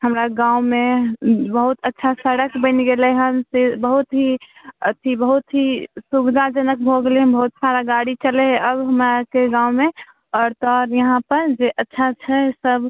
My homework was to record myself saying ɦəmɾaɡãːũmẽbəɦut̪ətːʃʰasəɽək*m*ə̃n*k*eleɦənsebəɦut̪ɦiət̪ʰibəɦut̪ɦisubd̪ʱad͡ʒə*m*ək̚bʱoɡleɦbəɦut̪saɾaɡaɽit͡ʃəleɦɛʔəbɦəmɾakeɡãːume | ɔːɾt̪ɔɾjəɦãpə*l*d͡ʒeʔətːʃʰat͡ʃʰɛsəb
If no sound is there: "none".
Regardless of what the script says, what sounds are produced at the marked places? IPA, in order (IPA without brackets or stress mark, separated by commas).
b, ɡ, n, ɾ